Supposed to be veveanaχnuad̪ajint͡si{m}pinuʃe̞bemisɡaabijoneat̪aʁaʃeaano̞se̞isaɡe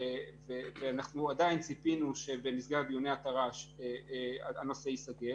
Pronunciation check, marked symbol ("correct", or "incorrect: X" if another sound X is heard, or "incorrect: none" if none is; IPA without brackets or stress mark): incorrect: none